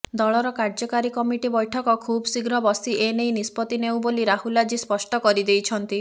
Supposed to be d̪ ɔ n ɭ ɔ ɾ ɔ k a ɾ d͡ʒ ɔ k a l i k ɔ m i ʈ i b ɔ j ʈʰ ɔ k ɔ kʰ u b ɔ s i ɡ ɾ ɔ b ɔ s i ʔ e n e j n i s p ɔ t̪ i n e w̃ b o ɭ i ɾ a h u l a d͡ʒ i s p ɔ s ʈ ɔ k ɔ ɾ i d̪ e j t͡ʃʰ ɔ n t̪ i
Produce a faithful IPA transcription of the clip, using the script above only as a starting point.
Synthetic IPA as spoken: d̪ ɔ ɭ ɔ ɾ ɔ k a ɾ d͡ʒ ɔ k a ɾ i k ɔ m i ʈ i b ɔ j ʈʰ ɔ k ɔ kʰ u b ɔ s i ɡ ɾ ɔ b ɔ s i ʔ e n e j n i s p ɔ t̪ i n e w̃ b o l i ɾ a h u l a d͡ʒ i s p ɔ s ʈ ɔ k ɔ ɾ i d̪ e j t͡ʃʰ ɔ n t̪ i